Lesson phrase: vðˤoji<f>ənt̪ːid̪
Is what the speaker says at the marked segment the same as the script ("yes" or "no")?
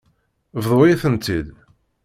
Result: no